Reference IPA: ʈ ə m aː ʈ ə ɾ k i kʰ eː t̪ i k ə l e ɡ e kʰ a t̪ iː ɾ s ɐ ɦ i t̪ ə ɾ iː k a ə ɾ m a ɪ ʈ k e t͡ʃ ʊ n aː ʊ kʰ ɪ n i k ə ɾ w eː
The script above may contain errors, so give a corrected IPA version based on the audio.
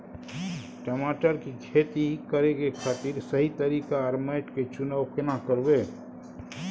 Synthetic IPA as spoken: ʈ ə m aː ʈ ə ɾ k i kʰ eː t̪ i k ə ɾ e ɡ e kʰ a t̪ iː ɾ s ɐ ɦ i t̪ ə ɾ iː k a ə ɾ m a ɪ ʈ k e t͡ʃ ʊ n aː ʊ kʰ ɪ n a k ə ɾ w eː